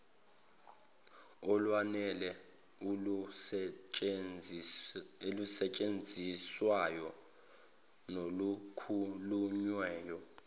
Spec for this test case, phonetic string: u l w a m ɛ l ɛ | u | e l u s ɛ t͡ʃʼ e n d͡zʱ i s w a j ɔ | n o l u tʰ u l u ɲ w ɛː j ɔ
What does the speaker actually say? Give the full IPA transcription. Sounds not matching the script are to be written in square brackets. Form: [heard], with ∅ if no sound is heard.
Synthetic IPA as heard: [ɔ] l w a [n] ɛ l ɛ | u | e l u s ɛ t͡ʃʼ e n d͡zʱ i s w a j ɔ | n o l u [kʰ] u l u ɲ w ɛː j ɔ

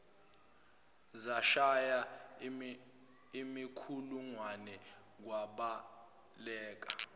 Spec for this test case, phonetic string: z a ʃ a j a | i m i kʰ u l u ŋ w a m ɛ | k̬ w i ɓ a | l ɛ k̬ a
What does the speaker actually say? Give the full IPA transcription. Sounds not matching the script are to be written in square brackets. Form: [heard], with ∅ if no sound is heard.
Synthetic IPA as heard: z a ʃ a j a | i m i kʰ u l u ŋ w a [n] ɛ | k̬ w [a] ɓ a | l [ɛː] k̬ a

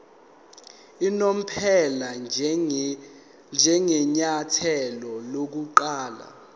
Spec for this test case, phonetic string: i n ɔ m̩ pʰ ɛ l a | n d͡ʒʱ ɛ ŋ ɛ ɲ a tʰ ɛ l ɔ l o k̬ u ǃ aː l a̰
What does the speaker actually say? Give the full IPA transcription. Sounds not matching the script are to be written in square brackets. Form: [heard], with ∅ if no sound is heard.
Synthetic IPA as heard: i n [o] m̩ pʰ ɛ l a | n d͡ʒʱ ɛ ŋ ɛ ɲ a tʰ ɛ l ɔ l o k̬ u ǃ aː l a̰

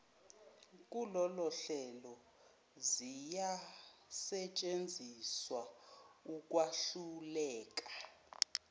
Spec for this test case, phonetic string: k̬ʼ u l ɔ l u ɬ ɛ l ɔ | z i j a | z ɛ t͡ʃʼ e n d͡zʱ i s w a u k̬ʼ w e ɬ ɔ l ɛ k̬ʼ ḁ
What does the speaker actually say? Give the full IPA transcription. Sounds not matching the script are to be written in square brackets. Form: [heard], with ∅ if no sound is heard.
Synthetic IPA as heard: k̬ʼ u l ɔ l [ɔ] ɬ ɛ l ɔ | z i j a | [s] ɛ t͡ʃʼ e n d͡zʱ i s w a u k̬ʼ w [a] ɬ [u] l [ɛː] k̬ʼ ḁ

